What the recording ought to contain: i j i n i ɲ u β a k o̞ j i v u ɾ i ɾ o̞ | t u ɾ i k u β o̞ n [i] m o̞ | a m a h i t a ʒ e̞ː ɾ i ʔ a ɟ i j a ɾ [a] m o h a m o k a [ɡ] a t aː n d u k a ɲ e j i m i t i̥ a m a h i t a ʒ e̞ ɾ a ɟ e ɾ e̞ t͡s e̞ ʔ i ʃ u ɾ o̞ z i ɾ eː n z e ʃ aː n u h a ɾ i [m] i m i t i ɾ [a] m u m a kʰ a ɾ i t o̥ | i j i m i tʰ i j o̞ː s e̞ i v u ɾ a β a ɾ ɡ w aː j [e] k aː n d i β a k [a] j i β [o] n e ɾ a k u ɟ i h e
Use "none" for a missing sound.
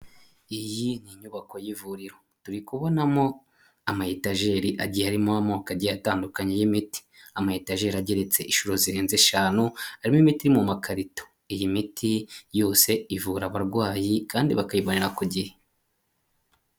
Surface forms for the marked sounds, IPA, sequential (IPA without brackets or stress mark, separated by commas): a, i, ɟ, m, i, i, a, o